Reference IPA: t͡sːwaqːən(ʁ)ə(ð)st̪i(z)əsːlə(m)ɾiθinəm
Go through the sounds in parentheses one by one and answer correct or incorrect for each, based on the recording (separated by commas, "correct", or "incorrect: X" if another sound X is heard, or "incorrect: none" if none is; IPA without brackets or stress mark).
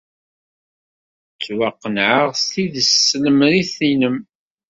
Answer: incorrect: ʕ, incorrect: ʁ, incorrect: ð, correct